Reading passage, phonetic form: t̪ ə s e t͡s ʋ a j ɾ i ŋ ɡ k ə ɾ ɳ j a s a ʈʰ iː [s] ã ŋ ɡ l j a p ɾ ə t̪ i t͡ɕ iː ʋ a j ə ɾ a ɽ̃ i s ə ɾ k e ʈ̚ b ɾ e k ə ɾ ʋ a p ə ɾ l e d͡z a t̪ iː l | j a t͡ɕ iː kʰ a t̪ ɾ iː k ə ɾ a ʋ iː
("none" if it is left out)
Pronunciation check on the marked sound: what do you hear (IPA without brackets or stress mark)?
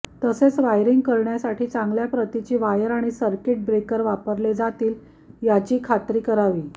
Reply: t͡s